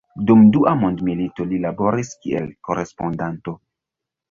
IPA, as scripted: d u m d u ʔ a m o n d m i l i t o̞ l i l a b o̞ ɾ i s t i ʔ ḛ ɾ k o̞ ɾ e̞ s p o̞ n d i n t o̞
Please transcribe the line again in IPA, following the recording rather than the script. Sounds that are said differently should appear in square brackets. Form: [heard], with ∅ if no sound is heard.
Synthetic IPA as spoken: d u m d u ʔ a m o n d m i l i t o̞ l i l a b o̞ ɾ i s [k] i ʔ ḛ [l] k o̞ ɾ e̞ s p o̞ n d [a] n t o̞